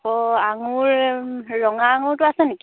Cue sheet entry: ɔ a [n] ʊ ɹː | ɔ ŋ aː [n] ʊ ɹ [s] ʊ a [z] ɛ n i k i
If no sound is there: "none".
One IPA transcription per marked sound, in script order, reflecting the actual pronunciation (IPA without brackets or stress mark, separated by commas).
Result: ŋ, ŋ, t, s